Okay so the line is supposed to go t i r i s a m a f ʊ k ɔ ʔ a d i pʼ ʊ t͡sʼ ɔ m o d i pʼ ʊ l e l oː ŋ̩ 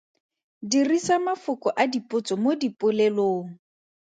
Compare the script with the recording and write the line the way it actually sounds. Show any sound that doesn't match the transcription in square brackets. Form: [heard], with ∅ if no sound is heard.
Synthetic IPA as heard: [d] i r i s a m a f ʊ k ɔ ʔ a d i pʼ ʊ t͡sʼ ɔ m o d i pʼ ʊ l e l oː ŋ̩